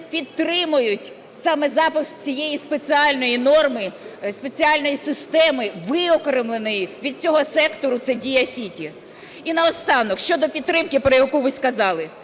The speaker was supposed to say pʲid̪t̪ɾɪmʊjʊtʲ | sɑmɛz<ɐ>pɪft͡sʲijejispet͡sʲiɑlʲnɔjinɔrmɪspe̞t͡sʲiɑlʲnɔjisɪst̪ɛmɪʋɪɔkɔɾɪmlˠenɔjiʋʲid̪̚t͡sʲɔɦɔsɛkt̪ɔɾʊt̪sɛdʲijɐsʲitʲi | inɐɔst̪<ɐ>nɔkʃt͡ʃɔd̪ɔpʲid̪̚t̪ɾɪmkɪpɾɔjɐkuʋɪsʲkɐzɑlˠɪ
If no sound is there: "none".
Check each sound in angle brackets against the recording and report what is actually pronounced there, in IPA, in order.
ɑ, ɑ

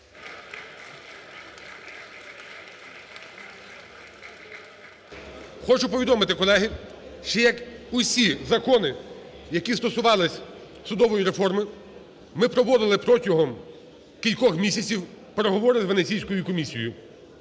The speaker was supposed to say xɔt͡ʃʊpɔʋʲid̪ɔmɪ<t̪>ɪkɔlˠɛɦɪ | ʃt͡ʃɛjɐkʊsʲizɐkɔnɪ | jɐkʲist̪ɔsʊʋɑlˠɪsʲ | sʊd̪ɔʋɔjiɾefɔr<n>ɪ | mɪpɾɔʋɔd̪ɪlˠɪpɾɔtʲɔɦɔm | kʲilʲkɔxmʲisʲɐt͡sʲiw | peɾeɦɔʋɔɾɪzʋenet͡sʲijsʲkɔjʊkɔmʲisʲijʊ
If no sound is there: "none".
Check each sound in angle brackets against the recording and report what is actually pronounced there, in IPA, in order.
t̪, m

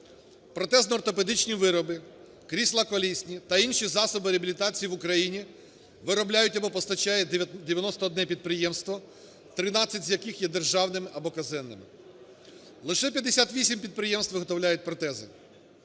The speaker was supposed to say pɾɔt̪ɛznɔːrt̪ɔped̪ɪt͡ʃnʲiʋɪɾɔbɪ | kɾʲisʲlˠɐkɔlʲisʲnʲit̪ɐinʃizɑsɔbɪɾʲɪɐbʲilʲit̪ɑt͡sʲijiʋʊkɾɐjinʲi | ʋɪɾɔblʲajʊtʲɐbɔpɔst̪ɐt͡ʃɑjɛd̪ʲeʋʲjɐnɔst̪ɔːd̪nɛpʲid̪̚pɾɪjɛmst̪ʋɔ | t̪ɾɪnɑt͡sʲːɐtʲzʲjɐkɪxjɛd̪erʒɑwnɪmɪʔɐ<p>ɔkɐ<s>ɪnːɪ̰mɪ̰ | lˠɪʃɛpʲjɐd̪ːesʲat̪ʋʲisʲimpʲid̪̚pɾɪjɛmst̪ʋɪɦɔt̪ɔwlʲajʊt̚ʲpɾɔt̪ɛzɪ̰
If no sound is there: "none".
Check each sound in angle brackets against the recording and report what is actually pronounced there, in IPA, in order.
b, z

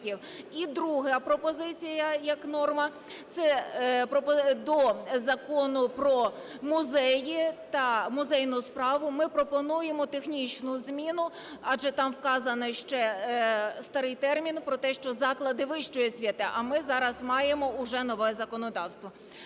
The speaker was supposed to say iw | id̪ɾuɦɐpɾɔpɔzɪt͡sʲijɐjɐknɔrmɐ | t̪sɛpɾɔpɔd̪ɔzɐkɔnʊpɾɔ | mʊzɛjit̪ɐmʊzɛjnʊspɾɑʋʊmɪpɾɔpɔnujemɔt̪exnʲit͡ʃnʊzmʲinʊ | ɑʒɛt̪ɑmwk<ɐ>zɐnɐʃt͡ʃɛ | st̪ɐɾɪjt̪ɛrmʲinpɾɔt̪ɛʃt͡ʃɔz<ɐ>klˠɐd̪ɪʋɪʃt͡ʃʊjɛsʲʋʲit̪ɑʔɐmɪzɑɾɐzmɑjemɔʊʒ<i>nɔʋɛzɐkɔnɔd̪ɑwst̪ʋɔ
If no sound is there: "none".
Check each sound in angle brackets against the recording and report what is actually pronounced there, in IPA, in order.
ɑ, ɑ, ɛ

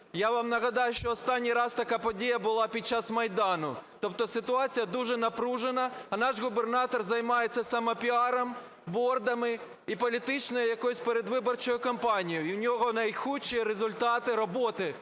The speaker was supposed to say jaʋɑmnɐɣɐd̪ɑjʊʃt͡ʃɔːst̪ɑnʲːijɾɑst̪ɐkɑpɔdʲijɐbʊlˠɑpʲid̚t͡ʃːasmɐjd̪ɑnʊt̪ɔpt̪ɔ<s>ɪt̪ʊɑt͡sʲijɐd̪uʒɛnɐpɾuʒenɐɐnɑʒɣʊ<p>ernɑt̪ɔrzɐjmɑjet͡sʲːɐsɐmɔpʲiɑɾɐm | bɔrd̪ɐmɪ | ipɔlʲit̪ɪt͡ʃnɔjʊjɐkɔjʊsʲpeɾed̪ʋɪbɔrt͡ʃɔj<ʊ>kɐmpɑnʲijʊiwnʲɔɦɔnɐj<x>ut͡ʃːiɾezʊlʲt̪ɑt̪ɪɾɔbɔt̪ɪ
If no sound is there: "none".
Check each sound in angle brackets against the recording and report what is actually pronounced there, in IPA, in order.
s, b, ʊ, x

